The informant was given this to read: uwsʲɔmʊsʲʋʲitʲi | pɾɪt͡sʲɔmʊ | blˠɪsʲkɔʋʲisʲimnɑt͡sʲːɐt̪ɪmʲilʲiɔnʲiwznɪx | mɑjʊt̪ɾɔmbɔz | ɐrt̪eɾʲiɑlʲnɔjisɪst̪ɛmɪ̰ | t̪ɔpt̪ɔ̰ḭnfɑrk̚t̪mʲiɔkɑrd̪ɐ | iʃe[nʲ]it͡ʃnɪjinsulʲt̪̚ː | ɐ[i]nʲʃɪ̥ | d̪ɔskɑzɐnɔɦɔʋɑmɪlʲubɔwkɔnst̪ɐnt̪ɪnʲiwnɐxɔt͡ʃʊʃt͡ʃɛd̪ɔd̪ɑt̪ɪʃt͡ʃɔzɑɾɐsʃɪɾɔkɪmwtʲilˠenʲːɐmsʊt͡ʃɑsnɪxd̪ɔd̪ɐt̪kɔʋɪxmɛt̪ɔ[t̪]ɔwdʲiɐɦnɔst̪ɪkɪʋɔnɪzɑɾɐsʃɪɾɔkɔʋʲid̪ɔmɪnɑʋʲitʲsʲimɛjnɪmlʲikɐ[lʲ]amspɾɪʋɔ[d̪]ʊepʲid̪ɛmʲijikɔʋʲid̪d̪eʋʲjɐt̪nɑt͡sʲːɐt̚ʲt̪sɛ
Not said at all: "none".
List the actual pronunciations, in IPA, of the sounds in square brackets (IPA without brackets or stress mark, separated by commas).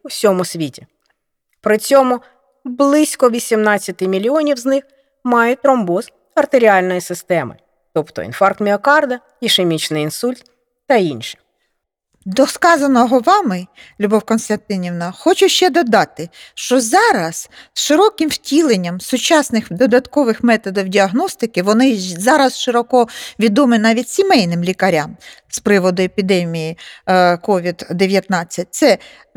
mʲ, i, d̪, ɾʲ, d̪